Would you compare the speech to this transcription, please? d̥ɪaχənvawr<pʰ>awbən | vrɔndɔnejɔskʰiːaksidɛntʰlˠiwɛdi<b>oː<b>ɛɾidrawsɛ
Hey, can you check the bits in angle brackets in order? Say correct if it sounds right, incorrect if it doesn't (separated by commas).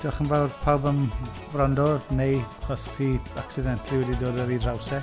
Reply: correct, incorrect, incorrect